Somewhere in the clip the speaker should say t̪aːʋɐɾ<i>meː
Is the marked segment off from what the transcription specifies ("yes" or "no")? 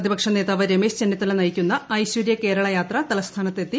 yes